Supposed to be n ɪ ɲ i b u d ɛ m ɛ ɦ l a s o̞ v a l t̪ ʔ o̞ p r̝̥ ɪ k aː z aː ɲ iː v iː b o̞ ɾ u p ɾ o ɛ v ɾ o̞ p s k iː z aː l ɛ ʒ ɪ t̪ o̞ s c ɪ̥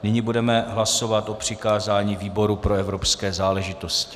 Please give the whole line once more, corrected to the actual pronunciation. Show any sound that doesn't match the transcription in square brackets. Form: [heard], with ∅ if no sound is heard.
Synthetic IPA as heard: n ɪ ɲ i b u d ɛ m ɛ ɦ l a s o̞ v a [∅] t̪ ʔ o̞ p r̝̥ ɪ k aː z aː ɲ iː v iː b o̞ ɾ u p ɾ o ɛ v ɾ o̞ p s k [ɛː] z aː l ɛ ʒ ɪ t̪ o̞ s c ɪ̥